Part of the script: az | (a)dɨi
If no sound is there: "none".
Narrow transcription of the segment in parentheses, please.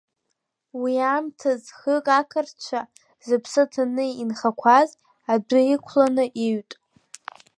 a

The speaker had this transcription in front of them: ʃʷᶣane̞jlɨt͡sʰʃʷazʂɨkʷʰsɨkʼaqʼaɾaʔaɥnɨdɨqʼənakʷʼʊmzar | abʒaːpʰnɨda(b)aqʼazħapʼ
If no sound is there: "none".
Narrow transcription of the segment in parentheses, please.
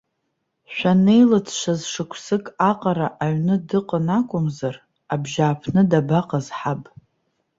b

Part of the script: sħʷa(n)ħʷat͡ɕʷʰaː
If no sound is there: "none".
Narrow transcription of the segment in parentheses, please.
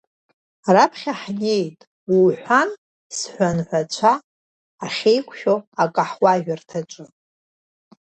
n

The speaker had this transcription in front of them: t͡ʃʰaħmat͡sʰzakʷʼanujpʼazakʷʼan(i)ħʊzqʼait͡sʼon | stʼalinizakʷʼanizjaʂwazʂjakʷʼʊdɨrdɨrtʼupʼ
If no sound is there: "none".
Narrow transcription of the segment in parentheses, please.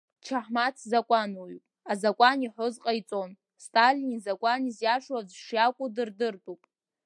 i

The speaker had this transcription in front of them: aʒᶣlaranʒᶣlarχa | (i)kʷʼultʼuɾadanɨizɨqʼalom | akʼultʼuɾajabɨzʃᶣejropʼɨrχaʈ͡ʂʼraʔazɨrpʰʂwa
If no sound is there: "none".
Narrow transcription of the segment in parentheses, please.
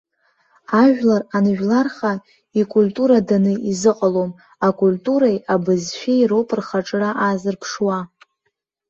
i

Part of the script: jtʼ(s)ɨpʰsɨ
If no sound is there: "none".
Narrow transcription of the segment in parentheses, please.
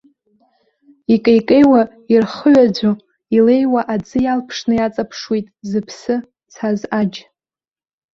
z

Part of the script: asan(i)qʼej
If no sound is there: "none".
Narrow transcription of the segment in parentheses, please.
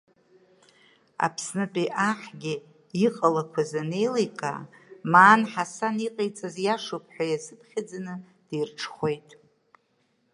i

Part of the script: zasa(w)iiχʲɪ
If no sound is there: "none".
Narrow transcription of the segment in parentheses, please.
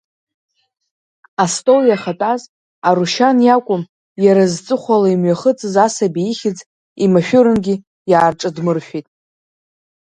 b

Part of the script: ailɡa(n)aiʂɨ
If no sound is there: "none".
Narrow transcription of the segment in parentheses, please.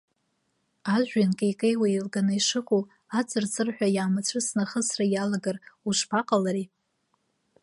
n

